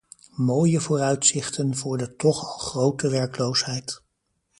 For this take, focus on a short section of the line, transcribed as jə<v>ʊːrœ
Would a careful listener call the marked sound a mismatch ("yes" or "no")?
no